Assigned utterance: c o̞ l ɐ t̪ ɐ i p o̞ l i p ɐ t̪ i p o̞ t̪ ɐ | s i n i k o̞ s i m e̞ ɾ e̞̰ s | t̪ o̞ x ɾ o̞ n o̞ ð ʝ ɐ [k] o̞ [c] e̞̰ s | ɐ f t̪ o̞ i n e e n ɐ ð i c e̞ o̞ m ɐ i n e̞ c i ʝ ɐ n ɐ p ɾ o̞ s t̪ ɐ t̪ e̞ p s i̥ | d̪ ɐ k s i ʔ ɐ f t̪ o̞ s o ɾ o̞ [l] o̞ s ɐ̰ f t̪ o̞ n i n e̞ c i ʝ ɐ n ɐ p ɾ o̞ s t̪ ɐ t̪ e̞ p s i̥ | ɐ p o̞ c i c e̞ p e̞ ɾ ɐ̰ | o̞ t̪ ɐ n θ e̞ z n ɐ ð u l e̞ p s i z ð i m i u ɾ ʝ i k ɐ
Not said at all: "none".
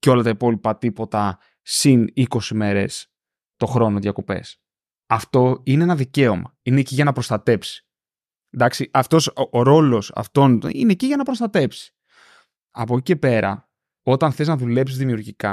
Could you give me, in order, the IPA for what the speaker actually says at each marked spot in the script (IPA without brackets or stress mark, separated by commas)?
k, p, l